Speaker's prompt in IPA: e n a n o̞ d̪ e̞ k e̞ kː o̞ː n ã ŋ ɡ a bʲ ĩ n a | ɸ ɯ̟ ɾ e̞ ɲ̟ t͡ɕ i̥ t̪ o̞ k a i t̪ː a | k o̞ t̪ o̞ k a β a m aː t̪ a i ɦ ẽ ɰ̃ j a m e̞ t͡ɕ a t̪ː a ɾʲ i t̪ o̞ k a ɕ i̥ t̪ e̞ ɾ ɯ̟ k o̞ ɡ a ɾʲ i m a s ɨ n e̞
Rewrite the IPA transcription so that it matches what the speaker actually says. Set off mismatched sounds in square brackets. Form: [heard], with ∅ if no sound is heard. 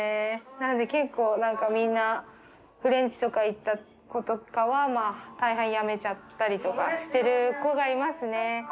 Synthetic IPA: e n a n o̞ d̪ e̞ k e̞ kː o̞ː n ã ŋ [k] a [mʲ] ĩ [nː] a | ɸ ɯ̟ ɾ [ẽ̞] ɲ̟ t͡ɕ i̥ t̪ o̞ k a i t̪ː a | k o̞ t̪ o̞ k a β a m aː t̪ a i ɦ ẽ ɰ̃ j a m e̞ t͡ɕ a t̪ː a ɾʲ i t̪ o̞ k a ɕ i̥ t̪ e̞ ɾ ɯ̟ k o̞ ɡ a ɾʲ i m a s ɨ n e̞